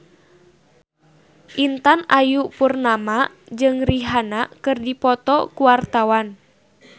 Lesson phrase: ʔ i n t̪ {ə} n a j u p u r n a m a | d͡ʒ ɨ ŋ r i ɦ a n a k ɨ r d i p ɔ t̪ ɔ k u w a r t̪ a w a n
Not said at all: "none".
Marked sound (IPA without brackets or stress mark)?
a